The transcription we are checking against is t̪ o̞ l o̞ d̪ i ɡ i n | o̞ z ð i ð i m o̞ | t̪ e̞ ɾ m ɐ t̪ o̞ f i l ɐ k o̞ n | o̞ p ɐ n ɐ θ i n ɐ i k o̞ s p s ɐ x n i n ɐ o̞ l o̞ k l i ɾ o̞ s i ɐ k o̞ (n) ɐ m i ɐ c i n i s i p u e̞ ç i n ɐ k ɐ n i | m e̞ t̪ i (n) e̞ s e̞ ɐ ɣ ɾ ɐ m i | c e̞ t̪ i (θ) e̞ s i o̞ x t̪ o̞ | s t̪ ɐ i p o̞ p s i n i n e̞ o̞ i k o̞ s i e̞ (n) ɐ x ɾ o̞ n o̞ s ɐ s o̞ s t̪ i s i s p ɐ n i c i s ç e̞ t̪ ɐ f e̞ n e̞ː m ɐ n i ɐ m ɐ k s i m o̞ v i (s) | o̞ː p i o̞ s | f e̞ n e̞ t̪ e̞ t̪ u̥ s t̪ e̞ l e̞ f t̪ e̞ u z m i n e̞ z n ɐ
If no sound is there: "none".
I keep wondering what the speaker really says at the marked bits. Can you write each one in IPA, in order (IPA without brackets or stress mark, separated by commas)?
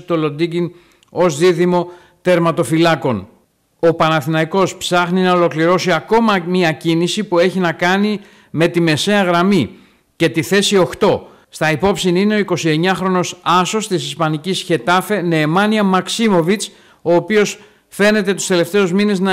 m, m, θ, ɲ, t͡s